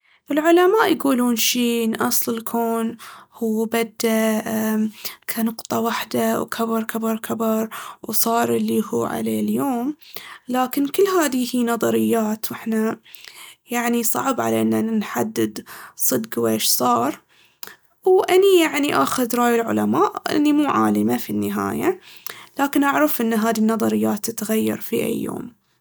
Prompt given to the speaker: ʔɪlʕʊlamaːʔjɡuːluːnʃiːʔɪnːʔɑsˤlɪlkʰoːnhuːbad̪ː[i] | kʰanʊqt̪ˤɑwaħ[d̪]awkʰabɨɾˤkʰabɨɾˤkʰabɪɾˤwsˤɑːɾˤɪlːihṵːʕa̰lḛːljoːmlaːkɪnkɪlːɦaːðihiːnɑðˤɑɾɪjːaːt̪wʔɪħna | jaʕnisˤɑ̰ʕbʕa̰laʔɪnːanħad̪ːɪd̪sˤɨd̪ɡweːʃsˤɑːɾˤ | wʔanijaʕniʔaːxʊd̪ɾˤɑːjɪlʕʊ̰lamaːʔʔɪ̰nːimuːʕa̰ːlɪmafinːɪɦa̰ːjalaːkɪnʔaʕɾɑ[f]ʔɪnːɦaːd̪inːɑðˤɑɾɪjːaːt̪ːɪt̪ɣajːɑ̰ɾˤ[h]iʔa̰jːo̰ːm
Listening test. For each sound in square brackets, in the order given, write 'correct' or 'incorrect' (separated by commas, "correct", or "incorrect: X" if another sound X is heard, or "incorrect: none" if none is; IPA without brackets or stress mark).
incorrect: a, correct, correct, incorrect: f